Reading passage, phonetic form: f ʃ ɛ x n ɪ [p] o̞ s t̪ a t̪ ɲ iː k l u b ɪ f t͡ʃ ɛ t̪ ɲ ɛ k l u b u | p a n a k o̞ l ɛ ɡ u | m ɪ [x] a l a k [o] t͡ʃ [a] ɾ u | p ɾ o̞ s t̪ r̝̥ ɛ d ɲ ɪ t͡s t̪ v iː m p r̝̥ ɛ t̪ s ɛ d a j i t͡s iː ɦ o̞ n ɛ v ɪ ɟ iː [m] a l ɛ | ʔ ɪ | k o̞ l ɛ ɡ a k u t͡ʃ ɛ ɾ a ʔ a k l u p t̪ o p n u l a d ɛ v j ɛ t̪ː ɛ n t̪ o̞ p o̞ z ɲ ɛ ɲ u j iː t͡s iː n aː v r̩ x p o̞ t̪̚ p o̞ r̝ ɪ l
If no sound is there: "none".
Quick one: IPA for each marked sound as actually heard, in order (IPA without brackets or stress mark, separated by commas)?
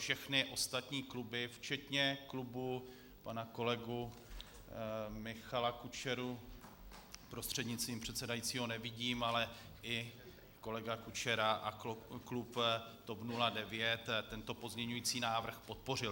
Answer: ʔ, x, u, ɛ, m